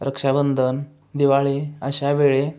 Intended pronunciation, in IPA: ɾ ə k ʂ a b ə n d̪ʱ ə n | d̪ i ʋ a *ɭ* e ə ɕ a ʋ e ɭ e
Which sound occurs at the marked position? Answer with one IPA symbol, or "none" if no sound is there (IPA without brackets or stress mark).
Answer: ɭ